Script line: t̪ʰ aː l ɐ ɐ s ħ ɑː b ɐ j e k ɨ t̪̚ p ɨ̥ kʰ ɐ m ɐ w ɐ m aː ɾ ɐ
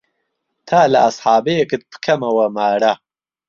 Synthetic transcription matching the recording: t̪ʰ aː l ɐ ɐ s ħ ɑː b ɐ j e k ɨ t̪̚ p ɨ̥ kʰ ɐ m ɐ w ɐ m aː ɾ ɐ